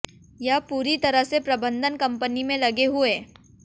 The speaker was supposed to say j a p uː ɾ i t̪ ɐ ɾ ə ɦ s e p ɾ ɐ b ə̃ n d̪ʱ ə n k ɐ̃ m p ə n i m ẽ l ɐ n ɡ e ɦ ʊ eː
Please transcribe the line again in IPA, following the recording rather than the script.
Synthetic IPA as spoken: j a p uː ɾ i t̪ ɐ ɾ ə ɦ s e p ɾ ɐ b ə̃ n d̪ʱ ə n k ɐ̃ m p ə n i m ẽ l ɐ ɡ e ɦ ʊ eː

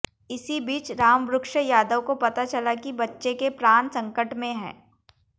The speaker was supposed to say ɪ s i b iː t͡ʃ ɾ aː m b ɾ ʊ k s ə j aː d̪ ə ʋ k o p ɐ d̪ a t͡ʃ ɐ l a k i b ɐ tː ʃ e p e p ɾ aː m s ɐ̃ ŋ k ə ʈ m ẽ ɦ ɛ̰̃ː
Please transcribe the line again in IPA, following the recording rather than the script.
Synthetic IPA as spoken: ɪ s i b iː t͡ʃ ɾ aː m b ɾ ʊ k ʃ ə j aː d̪ ə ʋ k o p ɐ t̪ a t͡ʃ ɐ l a k i b ɐ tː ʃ e k e p ɾ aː n s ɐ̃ ŋ k ə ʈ m ẽ ɦ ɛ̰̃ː

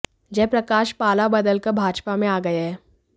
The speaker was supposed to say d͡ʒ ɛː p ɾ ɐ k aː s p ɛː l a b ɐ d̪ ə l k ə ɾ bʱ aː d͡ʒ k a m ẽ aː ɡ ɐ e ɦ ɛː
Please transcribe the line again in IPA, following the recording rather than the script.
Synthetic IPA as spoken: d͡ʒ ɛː p ɾ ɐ k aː ʃ p aː l a b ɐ d̪ ə l k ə ɾ bʱ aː d͡ʒ p a m ẽ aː ɡ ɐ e ɦ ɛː

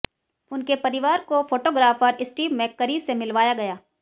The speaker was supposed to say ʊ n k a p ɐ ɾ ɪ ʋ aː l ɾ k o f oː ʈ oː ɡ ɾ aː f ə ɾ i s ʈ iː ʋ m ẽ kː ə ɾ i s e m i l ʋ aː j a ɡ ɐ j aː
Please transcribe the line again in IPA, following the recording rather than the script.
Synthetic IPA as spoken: ʊ n k e p ɐ ɾ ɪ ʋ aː ɾ k o f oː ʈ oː ɡ ɾ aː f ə ɾ ɪ s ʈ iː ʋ m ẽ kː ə ɾ i s e m ɪ l ʋ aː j a ɡ ɐ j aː

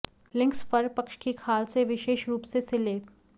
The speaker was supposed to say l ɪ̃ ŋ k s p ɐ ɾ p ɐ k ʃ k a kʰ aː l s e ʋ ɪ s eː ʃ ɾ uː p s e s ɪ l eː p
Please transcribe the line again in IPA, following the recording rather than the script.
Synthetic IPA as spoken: l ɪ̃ ŋ k s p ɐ ɾ p ɐ k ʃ k i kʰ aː l s e ʋ ɪ ʃ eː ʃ ɾ uː p s e s ɪ l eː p

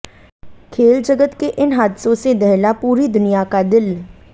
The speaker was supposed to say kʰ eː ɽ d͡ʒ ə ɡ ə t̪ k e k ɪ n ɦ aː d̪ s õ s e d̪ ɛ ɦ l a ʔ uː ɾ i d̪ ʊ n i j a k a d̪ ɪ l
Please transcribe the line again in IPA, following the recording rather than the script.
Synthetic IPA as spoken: kʰ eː l d͡ʒ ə ɡ ə t̪ k e ʔ ɪ n ɦ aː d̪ s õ s e d̪ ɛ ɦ l a p uː ɾ i d̪ ʊ n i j a k a d̪ ɪ l

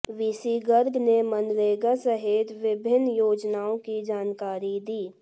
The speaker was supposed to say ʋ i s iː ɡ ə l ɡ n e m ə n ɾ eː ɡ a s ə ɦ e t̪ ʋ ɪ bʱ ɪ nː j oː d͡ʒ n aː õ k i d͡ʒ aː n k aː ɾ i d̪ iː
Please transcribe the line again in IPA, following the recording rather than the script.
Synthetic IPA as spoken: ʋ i s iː ɡ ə ɾ ɡ n e m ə n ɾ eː ɡ a s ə ɦ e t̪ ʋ ɪ bʱ ɪ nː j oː d͡ʒ n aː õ k i d͡ʒ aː n k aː ɾ i d̪ iː

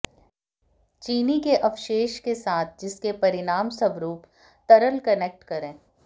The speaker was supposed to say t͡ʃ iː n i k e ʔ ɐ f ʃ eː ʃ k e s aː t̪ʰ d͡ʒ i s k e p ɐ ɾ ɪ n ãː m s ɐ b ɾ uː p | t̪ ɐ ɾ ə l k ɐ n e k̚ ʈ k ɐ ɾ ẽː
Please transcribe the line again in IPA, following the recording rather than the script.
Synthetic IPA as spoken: t͡ʃ iː n i k e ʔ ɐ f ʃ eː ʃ k e s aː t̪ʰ d͡ʒ ɪ s k e p ɐ ɾ ɪ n aː m s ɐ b ɾ uː p | t̪ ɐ ɾ ə l k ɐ n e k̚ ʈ k ɐ ɾ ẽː

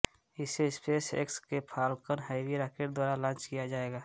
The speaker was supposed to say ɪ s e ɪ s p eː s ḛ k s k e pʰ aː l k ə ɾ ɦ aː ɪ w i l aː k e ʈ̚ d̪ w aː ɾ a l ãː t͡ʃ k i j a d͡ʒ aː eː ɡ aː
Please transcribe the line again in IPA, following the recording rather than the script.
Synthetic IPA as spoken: ɪ s e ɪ s p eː s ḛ k s k e pʰ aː l k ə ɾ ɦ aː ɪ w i ɾ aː k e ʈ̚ d̪ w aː ɾ a l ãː t͡ʃ k i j a d͡ʒ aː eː ɡ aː

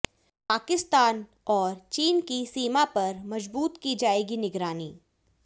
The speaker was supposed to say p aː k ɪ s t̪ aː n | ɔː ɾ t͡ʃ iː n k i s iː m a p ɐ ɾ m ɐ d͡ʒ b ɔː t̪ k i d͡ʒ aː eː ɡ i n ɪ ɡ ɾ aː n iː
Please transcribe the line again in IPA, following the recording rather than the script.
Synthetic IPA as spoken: p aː k ɪ s t̪ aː n | ɔː ɾ t͡ʃ iː n k i s iː m a p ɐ ɾ m ɐ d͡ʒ b uː t̪ k i d͡ʒ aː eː ɡ i n ɪ ɡ ɾ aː n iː

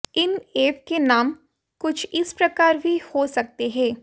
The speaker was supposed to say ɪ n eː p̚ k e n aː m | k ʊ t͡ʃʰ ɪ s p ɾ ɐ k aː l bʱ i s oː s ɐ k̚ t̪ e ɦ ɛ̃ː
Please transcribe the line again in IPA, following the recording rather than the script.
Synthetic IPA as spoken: ɪ n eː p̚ k e n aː m | k ʊ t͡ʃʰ ɪ s p ɾ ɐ k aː ɾ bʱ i h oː s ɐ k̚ t̪ e ɦ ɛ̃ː

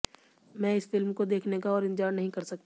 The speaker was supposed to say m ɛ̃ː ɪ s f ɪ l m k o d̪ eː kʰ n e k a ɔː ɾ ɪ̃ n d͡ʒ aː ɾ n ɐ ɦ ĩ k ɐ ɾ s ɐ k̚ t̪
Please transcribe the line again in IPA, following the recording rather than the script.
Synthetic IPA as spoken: m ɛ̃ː ɪ s f ɪ l m k o d̪ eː kʰ n e k a ɔː ɾ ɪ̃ n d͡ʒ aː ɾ n ɐ ɦ ĩ k ɐ ɾ s ɐ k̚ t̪

